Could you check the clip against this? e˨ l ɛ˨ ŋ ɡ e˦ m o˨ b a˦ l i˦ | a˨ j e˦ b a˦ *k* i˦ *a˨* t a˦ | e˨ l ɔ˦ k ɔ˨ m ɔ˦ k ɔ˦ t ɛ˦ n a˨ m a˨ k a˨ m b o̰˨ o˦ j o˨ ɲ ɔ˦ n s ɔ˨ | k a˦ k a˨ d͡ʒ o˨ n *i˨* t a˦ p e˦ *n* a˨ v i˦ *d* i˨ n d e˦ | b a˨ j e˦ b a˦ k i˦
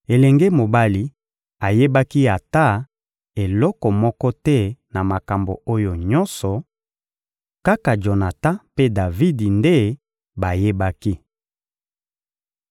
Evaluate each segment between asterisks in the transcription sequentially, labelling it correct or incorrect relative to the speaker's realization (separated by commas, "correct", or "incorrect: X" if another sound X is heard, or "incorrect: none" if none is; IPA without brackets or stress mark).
correct, correct, incorrect: a˨, incorrect: d, correct